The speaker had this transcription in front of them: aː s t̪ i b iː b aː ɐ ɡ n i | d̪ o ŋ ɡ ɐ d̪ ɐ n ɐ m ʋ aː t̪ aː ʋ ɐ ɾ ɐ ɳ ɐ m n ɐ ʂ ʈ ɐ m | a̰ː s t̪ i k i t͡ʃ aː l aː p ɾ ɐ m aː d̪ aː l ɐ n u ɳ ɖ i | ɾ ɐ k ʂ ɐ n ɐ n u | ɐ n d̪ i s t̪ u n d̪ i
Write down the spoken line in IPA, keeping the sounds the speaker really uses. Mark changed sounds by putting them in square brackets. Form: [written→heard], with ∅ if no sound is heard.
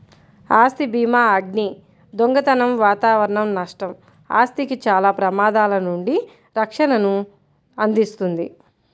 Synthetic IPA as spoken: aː s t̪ i b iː [b→m] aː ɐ ɡ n i | d̪ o ŋ ɡ ɐ [d̪→t̪] ɐ n ɐ m ʋ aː t̪ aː ʋ ɐ ɾ ɐ ɳ ɐ m n ɐ ʂ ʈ ɐ m | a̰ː s t̪ i k i t͡ʃ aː l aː p ɾ ɐ m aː d̪ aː l ɐ n u ɳ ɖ i | ɾ ɐ k ʂ ɐ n ɐ n u | ɐ n d̪ i s t̪ u n d̪ i